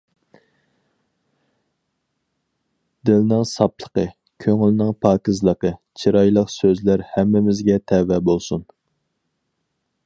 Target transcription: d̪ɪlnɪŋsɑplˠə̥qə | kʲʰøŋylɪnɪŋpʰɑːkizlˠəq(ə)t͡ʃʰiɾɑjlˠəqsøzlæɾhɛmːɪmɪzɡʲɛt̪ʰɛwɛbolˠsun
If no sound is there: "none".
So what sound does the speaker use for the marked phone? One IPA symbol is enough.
ə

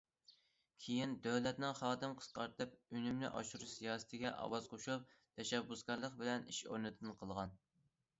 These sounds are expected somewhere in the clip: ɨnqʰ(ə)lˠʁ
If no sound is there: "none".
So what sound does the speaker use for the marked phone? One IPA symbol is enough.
ə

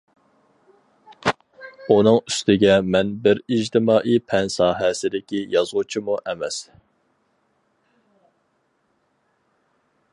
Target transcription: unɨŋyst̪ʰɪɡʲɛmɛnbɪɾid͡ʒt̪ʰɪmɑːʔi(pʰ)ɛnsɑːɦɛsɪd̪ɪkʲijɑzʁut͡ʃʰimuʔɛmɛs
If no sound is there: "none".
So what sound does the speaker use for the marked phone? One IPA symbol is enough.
pʰ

